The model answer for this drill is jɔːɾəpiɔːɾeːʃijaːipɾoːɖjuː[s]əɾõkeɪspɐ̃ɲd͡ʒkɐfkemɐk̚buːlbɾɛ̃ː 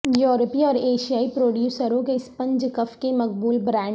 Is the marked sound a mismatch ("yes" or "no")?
no